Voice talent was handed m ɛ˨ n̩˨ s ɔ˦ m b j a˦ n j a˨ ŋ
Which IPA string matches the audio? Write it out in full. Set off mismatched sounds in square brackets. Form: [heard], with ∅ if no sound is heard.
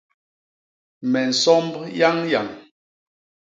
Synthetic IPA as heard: m ɛ˨ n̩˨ s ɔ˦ m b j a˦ [ŋ] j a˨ ŋ